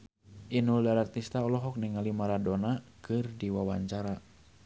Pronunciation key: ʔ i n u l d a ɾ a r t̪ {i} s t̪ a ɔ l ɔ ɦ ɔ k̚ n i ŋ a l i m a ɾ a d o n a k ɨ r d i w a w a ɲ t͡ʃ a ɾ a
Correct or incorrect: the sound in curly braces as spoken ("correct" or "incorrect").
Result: correct